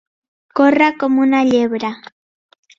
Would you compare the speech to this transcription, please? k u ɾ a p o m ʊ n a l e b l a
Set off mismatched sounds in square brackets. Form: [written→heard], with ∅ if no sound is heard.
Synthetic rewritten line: k [u→o] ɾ a [p→k] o m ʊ n a [l→ʎ] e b [l→ɾ] a